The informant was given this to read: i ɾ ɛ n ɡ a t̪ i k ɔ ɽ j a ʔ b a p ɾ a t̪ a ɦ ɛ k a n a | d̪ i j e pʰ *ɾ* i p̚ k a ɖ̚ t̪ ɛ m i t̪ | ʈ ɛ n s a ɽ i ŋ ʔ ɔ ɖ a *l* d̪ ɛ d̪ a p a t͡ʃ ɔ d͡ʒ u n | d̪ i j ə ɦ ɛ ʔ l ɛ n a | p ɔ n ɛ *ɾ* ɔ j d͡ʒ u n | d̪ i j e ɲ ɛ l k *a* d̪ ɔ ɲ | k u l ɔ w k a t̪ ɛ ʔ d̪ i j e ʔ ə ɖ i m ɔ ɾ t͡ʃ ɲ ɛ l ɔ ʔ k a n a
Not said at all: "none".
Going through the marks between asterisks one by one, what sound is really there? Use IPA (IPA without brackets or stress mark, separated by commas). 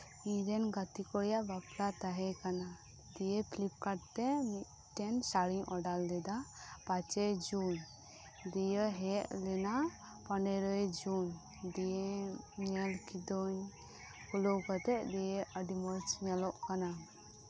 l, l, ɾ, i